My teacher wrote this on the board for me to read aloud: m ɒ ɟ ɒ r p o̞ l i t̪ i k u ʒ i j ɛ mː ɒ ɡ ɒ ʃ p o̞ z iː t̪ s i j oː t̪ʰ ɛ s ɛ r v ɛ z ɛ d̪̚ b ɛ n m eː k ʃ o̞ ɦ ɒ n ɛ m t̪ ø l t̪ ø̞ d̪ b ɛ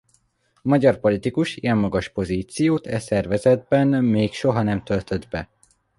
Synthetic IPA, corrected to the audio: m ɒ ɟ ɒ r p o̞ l i t̪ i k u ʃ i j ɛ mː ɒ ɡ ɒ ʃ p o̞ z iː t̪ s i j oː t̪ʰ ɛ s ɛ r v ɛ z ɛ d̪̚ b ɛ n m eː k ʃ o̞ ɦ ɒ n ɛ m t̪ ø l t̪ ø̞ d̪ b ɛ